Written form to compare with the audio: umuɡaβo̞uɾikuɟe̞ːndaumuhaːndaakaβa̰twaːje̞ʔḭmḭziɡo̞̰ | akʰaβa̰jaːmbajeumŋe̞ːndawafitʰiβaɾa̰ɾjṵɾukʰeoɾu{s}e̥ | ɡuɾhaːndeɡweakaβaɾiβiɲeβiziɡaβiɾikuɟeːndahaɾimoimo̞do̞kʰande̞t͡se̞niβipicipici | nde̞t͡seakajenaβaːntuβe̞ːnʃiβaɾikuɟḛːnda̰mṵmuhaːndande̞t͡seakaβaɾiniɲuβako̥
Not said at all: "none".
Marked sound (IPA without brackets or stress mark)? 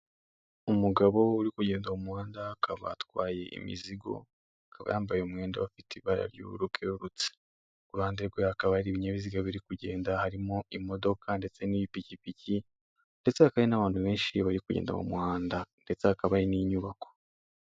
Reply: t͡s